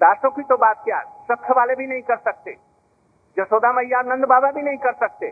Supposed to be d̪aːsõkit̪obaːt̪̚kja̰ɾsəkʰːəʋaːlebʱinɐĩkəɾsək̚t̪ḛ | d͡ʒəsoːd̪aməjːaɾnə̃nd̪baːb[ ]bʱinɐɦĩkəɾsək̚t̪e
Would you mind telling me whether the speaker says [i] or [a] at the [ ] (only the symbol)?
a